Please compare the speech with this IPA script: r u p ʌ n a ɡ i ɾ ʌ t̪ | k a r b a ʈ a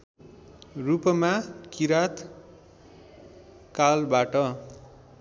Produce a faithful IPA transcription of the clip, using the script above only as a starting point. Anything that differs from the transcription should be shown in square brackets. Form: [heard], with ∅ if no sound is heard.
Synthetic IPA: r u p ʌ [m] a [k] i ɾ [a] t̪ | k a [l] b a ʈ [ʌ]